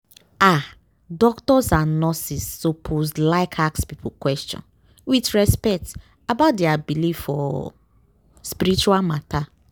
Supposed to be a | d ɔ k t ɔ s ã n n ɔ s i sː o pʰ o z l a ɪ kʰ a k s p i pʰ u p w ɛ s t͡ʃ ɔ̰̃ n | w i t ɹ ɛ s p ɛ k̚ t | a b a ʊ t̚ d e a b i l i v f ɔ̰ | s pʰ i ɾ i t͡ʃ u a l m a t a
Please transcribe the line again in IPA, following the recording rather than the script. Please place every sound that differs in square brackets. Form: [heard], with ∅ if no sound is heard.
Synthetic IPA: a | d ɔ k t ɔ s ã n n ɔ s i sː o pʰ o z l a ɪ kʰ a k s p i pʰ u [k] w ɛ s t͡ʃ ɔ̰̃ n | w i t ɹ ɛ s p ɛ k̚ t | a b a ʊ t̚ d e a b i l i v f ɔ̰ | s [p] i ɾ i t͡ʃ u a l m a t a